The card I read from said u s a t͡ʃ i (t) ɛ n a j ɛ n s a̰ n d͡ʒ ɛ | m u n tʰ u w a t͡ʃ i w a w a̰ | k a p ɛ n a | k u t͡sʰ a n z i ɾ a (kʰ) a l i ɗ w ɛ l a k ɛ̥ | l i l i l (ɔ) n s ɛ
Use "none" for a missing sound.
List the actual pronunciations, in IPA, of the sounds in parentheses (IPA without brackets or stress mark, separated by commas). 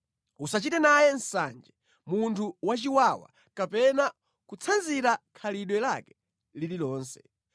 t, kʰ, ɔː